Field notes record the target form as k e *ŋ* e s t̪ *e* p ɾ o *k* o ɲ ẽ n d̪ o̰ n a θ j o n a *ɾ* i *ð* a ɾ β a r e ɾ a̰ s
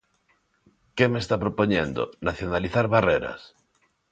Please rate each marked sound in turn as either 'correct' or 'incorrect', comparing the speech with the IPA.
incorrect: m, incorrect: a, incorrect: p, incorrect: l, incorrect: θ

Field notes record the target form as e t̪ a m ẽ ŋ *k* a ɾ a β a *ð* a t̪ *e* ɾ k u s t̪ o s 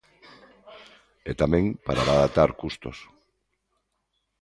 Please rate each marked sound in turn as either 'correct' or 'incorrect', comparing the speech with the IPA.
incorrect: p, correct, incorrect: a

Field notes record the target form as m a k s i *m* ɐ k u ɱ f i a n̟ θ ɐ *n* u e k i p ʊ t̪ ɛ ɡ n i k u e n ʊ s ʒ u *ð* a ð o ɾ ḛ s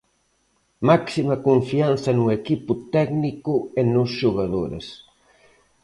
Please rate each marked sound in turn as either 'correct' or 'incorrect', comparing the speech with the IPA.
correct, correct, incorrect: ɣ

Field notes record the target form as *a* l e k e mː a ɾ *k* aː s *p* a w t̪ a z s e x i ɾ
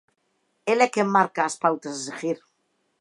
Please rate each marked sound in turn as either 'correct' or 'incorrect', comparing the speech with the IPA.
incorrect: e, correct, correct

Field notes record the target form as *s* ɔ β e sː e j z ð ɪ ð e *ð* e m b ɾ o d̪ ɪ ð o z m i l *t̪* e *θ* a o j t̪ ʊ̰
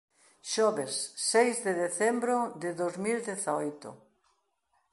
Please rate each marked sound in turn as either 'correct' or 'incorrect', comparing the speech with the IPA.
incorrect: ʃ, incorrect: θ, incorrect: d̪, correct

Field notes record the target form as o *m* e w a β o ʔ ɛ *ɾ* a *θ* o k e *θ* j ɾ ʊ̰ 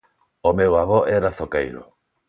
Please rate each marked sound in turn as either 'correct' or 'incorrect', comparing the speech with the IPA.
correct, correct, correct, incorrect: none

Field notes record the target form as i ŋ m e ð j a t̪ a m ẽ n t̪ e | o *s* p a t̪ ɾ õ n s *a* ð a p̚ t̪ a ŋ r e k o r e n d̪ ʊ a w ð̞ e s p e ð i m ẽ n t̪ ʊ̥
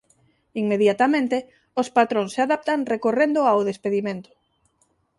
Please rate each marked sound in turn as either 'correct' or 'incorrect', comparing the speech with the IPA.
correct, correct

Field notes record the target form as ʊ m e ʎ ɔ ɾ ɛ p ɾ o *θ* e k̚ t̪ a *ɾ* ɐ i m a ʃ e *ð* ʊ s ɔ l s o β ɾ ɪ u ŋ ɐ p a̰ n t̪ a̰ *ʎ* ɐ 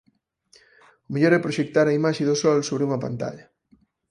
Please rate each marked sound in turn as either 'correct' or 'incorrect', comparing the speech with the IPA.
incorrect: ʃ, correct, correct, correct

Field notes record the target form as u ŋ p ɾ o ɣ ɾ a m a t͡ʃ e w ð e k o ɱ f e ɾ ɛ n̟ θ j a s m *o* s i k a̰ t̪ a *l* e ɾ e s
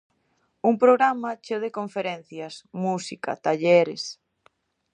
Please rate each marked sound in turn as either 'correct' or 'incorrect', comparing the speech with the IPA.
incorrect: u, incorrect: ʎ

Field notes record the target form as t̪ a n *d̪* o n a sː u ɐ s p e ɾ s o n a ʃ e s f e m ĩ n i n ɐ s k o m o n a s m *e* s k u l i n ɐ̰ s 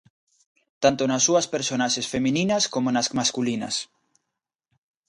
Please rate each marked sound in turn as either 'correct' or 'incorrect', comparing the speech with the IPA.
incorrect: t̪, incorrect: a

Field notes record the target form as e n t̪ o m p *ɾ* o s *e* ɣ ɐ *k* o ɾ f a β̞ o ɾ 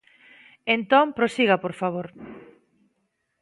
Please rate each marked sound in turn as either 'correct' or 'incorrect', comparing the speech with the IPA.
correct, incorrect: i, incorrect: p

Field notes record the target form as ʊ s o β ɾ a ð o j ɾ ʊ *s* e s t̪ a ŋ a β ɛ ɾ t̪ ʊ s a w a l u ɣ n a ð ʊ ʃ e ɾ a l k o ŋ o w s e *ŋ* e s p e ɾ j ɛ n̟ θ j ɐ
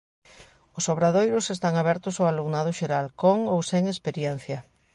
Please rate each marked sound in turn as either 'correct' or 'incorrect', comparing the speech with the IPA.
correct, correct

